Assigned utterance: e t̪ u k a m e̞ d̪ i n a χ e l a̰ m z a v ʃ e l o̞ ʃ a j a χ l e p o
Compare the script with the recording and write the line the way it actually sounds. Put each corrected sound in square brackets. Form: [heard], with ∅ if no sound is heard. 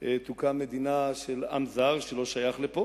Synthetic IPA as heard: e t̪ u k a m e̞ d̪ i n a [ʃ] e l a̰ m z a [ʁ] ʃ e l o̞ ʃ a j a χ l e p o